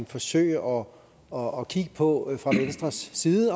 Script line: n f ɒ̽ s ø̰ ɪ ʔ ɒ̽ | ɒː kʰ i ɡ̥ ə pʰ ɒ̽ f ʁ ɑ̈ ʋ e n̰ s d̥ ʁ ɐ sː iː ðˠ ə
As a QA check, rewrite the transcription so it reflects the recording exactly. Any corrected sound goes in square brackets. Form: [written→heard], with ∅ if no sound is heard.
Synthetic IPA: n f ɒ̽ s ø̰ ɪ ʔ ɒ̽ | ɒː kʰ i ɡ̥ ə pʰ ɒ̽ f ʁ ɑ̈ ʋ e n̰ s d̥ ʁ ɐ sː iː ðˠ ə